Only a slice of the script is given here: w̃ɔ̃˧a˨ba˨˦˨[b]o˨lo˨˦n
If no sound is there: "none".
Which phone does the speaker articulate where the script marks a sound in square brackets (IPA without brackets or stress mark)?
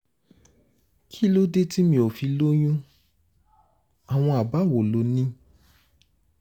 w